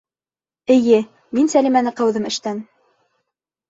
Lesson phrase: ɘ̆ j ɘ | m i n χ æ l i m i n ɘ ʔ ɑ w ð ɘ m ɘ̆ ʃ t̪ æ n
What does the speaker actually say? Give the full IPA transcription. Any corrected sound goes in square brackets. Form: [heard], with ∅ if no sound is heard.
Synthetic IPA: ɘ̆ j ɘ | m i n [s] æ l i m [æ] n ɘ [q] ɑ w ð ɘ m ɘ̆ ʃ t̪ æ n